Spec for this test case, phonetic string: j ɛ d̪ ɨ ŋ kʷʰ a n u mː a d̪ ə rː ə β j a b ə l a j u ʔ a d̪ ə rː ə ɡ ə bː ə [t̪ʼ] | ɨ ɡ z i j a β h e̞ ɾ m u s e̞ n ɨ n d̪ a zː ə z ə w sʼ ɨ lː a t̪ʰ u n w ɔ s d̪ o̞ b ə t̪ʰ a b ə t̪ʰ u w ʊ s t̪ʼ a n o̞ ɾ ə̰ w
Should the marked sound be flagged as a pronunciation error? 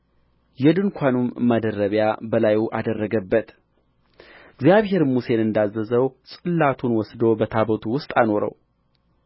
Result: yes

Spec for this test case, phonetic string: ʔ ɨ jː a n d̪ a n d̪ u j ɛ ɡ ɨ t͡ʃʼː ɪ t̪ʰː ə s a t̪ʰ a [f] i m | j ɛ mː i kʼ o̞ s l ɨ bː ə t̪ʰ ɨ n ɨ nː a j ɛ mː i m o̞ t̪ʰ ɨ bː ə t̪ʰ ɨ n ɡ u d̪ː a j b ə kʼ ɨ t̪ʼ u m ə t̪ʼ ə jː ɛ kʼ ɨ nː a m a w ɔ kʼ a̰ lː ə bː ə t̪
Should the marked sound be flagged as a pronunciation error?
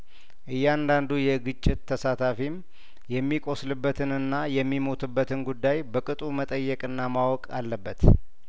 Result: no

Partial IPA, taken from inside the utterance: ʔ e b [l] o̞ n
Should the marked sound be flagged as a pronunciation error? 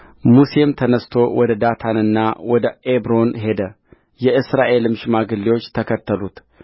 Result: yes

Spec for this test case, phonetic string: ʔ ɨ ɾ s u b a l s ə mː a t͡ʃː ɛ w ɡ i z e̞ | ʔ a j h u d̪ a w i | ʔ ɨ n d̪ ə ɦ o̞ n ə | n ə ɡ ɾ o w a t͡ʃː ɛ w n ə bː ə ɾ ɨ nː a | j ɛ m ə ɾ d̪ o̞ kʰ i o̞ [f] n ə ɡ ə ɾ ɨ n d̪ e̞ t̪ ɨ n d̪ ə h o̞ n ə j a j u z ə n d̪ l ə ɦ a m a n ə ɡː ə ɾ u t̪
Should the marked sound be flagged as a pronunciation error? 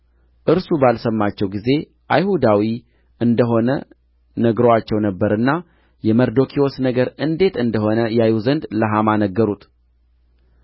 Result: yes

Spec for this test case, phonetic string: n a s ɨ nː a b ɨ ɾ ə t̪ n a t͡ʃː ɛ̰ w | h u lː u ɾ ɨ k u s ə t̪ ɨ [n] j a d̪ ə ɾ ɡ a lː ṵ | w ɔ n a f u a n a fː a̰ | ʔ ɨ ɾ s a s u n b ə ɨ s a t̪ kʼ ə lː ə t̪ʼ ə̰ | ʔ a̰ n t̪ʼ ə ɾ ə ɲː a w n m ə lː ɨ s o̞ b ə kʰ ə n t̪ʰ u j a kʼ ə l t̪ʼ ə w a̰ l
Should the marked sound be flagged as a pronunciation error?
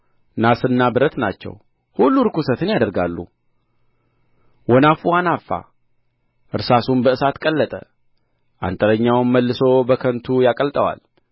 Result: no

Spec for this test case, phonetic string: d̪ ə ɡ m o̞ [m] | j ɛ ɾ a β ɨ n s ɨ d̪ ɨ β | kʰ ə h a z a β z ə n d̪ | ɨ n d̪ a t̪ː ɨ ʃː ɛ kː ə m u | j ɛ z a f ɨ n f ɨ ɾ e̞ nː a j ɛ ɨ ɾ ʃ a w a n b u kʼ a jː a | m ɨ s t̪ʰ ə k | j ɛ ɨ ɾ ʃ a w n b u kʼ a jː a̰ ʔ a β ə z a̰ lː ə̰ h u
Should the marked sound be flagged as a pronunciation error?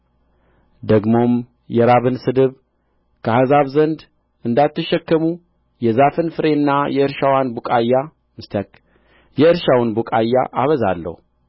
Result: no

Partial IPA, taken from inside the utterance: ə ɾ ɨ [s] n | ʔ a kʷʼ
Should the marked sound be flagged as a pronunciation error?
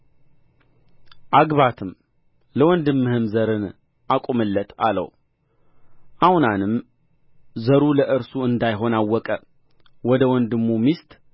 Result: yes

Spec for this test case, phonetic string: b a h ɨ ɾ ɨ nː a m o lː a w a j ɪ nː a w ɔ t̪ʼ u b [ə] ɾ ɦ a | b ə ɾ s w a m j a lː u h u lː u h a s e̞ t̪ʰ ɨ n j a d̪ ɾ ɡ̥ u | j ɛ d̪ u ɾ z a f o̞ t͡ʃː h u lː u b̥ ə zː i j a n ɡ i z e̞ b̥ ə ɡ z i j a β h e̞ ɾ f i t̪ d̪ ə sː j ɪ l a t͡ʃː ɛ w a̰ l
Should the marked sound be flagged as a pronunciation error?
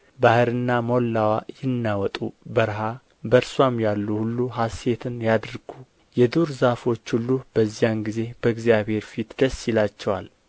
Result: no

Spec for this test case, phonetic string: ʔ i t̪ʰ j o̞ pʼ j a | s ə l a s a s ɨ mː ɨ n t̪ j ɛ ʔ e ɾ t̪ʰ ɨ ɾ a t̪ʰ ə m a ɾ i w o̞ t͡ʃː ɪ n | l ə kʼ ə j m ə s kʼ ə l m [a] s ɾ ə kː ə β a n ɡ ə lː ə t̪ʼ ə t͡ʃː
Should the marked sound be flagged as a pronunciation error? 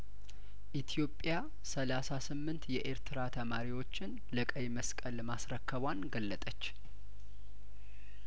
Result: no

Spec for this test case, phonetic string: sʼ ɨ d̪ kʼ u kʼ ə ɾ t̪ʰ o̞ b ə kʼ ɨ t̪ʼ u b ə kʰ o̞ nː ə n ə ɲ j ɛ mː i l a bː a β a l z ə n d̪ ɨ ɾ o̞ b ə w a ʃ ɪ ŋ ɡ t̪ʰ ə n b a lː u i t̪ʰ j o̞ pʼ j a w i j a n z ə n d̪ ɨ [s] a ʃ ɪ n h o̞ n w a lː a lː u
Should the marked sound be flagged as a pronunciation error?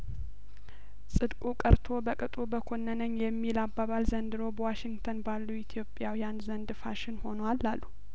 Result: yes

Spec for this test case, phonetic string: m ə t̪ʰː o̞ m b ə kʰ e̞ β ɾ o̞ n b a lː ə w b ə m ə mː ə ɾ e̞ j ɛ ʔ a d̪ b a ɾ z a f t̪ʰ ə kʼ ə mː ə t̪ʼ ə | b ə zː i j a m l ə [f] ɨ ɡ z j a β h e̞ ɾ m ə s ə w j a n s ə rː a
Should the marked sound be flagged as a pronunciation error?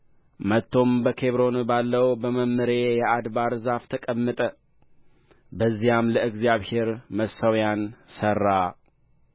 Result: yes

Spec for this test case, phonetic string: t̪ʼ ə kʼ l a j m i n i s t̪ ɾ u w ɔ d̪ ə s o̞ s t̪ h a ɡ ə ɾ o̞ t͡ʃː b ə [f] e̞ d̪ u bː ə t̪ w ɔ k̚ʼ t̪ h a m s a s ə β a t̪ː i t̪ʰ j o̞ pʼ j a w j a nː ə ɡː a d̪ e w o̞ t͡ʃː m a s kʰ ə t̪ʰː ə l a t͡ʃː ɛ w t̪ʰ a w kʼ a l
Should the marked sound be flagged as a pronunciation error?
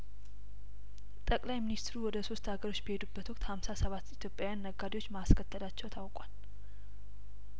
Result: yes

